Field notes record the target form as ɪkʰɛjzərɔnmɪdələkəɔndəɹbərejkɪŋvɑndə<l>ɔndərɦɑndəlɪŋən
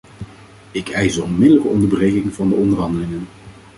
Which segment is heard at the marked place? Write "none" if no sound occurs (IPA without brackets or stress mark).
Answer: none